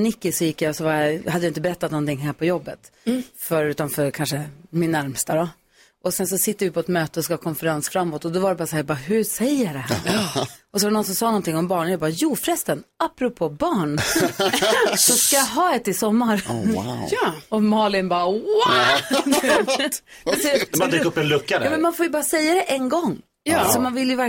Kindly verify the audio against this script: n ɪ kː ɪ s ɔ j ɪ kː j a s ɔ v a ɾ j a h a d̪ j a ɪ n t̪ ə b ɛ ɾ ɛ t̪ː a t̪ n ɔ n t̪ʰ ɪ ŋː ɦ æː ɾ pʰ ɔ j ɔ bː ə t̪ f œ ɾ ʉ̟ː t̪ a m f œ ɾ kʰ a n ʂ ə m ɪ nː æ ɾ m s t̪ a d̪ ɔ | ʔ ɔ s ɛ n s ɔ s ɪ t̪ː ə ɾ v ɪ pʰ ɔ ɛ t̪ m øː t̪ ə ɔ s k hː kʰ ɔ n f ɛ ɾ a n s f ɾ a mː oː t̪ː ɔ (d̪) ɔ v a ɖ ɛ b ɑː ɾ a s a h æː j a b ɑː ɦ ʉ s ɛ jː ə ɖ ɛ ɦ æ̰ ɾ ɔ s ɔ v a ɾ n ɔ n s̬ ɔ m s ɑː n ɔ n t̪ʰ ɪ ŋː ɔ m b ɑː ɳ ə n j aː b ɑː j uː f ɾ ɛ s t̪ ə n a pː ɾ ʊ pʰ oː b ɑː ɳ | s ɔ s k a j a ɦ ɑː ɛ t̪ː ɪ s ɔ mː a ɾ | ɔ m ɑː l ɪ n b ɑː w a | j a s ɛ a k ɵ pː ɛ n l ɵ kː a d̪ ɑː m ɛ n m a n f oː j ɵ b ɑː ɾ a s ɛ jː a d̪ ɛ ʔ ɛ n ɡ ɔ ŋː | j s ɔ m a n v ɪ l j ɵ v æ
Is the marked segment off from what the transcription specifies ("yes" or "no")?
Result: no